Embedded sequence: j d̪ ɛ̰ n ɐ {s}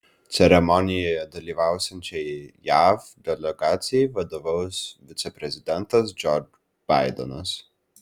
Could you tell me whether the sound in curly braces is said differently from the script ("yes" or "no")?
no